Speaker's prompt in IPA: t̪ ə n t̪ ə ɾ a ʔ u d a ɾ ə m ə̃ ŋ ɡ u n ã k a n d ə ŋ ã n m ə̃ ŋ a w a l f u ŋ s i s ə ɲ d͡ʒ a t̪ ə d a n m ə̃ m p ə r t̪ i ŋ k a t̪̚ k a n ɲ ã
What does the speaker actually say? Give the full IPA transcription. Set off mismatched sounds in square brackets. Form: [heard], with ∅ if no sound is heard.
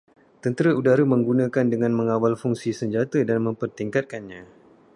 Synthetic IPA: t̪ ə n t̪ ə ɾ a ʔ u d a ɾ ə m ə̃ ŋ ɡ u n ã k a n d ə ŋ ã n m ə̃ ŋ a w a l f u ŋ s i s ə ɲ d͡ʒ a t̪ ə d a n m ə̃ m p ə r t̪ i ŋ k a t̪̚ k a n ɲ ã